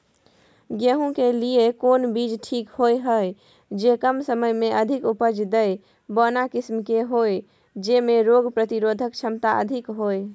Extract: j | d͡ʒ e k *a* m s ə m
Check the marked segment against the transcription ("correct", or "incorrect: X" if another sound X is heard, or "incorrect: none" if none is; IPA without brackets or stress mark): incorrect: ə